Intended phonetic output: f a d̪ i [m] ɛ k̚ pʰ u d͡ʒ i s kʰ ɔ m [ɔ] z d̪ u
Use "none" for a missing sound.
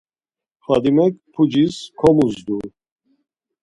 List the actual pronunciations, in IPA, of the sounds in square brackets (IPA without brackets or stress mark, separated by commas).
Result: m, u